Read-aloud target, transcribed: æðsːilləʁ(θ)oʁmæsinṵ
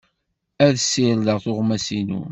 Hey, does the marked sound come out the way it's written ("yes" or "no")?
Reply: yes